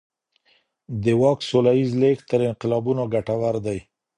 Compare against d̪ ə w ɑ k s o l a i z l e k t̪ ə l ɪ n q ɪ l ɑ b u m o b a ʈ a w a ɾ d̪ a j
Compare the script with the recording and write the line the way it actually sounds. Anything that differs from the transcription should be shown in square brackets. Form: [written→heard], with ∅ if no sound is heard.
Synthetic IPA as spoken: d̪ ə w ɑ k s o l a i z l e k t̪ ə [l→ɾ] ɪ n q ɪ l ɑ b u [m→n] o [b→ɡ] a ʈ a w a ɾ d̪ a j